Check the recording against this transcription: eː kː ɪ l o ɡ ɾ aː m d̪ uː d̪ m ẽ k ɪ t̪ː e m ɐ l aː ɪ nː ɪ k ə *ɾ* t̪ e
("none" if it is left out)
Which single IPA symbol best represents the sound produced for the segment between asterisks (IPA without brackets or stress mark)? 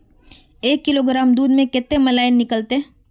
l